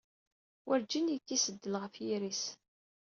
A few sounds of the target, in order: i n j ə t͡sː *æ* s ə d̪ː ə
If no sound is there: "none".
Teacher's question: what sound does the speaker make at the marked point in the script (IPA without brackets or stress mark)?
i